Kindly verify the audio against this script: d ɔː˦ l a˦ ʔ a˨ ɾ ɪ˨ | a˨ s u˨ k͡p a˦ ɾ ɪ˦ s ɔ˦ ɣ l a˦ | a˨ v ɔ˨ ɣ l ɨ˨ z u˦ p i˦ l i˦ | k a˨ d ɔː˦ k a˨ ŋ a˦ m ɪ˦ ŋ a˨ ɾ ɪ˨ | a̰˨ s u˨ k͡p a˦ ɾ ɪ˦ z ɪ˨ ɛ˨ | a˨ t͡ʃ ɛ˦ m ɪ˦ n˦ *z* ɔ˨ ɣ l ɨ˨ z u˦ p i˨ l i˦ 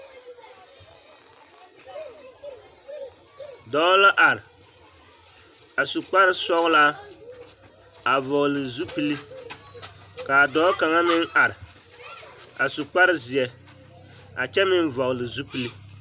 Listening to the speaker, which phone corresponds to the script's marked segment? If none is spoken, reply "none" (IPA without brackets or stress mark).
v